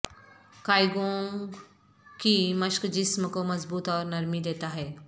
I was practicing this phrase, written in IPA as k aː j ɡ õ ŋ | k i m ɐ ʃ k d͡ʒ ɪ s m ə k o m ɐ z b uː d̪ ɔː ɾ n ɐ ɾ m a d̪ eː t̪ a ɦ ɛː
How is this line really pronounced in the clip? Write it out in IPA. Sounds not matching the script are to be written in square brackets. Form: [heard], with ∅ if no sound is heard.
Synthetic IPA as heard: k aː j ɡ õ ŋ | k i m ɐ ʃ k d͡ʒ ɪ s m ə k o m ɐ z b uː [t̪] ɔː ɾ n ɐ ɾ m [i] d̪ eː t̪ a ɦ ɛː